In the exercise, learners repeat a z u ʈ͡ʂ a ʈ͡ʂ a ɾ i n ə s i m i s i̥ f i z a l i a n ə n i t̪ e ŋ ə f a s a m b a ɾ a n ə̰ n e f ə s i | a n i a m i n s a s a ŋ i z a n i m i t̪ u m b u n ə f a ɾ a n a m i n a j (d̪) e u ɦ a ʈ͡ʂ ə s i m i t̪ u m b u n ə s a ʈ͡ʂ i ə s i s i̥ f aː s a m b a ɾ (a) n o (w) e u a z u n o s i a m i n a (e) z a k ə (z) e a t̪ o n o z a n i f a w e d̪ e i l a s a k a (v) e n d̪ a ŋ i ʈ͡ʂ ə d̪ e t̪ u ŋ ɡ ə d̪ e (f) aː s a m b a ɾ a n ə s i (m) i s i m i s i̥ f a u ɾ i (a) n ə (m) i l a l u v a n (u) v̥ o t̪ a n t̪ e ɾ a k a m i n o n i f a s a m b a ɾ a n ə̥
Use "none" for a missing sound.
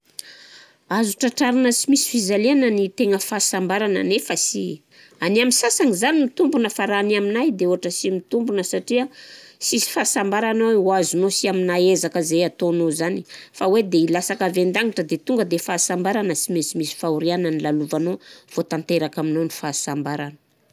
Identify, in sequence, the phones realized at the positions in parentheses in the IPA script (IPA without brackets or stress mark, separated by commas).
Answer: d̪, a, w, e, z, v, f, m, a, n, o